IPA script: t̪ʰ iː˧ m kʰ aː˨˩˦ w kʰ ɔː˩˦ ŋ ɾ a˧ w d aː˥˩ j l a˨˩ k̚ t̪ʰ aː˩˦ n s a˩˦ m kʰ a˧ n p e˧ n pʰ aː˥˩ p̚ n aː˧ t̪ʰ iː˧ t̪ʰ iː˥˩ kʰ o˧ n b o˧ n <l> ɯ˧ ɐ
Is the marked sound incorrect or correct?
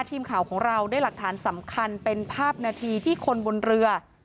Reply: incorrect